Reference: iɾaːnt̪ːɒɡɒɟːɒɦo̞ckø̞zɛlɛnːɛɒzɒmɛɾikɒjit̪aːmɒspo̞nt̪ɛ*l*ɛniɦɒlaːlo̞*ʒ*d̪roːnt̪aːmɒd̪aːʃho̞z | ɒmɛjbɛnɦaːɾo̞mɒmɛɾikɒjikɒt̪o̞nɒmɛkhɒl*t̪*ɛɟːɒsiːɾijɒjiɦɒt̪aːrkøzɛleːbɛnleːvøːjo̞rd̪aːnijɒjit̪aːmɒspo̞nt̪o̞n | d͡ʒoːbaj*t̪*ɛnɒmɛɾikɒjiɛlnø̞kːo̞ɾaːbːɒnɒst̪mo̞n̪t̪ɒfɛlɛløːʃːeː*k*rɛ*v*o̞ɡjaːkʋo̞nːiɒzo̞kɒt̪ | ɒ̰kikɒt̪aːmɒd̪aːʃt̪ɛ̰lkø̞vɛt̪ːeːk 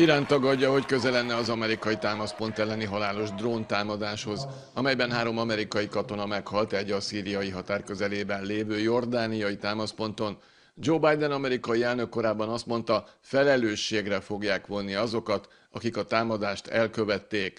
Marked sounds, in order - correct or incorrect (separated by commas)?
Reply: incorrect, correct, correct, incorrect, incorrect, incorrect